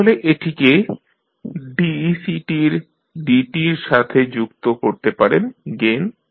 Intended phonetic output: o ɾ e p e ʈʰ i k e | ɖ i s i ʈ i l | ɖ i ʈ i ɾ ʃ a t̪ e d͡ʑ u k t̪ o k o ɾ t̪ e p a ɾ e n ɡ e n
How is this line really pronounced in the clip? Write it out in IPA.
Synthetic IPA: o l e ʔ e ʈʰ i k e | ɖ i s i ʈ i ɾ | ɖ i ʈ i ɾ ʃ a t̪ʰ e d͡ʑ u k t̪ o k o ɾ t̪ e p a ɾ e n ɡ e n